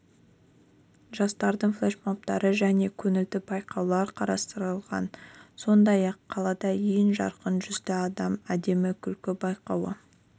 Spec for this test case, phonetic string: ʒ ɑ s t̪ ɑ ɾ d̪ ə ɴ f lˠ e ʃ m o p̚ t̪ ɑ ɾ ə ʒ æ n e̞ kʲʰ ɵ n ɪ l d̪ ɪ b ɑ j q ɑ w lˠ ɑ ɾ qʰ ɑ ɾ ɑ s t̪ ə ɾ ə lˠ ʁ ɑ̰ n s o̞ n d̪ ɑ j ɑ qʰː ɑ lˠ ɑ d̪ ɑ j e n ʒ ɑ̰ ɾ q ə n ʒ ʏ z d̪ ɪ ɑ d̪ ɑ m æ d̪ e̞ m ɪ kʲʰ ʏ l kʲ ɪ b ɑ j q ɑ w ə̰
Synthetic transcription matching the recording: ʒ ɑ s t̪ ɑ ɾ d̪ ə ɴ f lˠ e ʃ m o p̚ t̪ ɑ ɾ ə ʒ æ n e̞ kʲʰ ɵ n ɪ l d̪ ɪ b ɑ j q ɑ w lˠ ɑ ɾ qʰ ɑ ɾ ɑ s t̪ ə ɾ ə lˠ ʁ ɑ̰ n s o̞ n d̪ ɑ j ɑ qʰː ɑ lˠ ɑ d̪ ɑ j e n ʒ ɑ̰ ɾ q ə n ʒ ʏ z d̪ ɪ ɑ d̪ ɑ m æ d̪ e̞ m ɪ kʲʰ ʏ l kʲ ɪ b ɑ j q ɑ w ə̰